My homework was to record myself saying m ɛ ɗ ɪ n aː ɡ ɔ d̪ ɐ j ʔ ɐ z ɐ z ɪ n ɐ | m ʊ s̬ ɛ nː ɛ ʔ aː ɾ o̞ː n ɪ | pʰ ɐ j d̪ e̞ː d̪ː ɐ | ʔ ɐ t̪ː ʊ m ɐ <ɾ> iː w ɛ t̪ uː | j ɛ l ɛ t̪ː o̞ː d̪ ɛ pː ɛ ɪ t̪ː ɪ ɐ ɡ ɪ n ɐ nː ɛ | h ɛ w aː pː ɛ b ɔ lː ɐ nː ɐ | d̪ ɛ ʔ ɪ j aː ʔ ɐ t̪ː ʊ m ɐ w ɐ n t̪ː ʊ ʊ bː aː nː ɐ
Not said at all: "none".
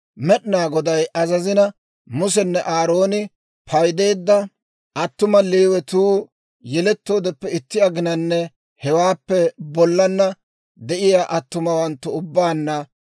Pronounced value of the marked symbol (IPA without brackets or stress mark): l